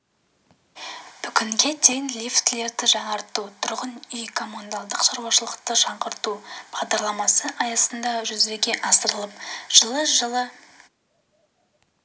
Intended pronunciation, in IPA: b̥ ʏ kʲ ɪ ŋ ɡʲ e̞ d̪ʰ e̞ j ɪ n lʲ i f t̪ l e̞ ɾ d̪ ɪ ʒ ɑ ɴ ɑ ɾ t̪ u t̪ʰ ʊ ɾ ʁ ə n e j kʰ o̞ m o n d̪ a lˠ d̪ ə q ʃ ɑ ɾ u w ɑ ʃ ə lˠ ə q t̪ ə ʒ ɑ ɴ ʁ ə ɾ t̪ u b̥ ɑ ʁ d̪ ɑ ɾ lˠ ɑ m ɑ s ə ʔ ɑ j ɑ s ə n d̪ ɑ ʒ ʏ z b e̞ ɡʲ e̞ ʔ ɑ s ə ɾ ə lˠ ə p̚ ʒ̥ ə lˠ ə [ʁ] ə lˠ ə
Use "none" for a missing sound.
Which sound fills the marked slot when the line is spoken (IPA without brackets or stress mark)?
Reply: ʒ